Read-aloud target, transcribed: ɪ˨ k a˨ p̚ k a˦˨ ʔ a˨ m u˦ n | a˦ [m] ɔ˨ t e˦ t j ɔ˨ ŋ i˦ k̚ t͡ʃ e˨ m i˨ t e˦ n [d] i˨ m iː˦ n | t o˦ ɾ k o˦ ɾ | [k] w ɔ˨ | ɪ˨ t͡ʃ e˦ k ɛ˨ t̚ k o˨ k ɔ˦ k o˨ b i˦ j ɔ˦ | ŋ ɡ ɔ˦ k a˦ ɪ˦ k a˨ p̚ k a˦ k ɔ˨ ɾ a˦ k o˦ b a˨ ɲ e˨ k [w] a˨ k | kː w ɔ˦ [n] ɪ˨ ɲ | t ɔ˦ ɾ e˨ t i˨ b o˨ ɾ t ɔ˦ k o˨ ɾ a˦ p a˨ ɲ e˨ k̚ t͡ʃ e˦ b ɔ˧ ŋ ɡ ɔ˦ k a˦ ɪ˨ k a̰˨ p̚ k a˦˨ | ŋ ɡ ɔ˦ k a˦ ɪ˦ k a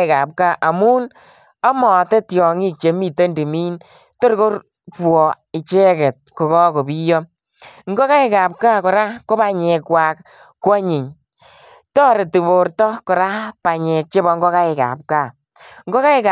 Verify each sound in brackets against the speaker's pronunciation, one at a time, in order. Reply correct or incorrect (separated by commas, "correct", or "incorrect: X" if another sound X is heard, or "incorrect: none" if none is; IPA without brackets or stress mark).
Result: correct, correct, incorrect: p, correct, incorrect: ɲ